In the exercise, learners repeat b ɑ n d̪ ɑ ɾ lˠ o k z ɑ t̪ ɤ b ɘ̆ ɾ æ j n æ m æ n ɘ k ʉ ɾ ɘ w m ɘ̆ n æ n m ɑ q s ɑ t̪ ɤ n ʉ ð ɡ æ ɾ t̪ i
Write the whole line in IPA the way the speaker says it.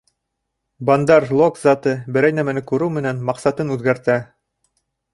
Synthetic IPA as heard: b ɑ n d̪ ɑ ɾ lˠ o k z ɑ t̪ ɤ b ɘ̆ ɾ æ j n æ m æ n ɘ k ʉ ɾ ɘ w m ɘ̆ n æ n m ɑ q s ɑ t̪ ɤ n ʉ ð ɡ æ ɾ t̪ æ